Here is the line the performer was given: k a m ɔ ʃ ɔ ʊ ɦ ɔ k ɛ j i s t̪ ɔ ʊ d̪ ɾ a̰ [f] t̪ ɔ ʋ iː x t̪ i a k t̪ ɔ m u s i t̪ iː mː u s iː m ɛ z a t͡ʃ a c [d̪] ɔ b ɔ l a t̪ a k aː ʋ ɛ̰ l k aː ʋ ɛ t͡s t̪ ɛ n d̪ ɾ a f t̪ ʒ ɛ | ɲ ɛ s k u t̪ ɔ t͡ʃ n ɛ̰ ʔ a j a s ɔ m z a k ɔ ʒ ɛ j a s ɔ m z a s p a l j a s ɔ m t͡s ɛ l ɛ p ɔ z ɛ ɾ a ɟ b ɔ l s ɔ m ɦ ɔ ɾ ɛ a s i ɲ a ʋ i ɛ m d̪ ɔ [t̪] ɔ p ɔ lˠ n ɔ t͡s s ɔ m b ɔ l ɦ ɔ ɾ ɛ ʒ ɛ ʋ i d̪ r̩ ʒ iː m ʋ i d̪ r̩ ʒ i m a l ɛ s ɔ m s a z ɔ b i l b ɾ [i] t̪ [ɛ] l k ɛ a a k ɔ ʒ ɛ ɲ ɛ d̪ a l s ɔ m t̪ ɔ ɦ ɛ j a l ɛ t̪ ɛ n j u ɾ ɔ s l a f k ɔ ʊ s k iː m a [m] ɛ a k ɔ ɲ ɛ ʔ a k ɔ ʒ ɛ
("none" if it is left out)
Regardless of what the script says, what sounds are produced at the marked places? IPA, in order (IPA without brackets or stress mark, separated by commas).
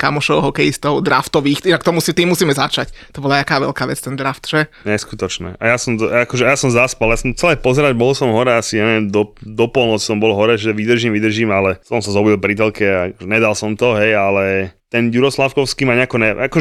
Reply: f, t̪, d̪, i, ɛ, ɲ